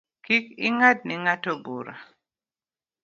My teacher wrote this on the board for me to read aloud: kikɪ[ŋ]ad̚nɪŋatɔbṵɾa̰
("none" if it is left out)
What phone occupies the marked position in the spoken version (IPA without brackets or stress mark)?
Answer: ŋ